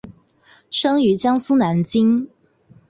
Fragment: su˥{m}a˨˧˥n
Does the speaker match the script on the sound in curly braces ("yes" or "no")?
no